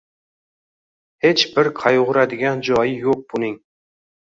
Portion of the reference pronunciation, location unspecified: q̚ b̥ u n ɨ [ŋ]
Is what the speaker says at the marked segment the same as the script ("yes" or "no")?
yes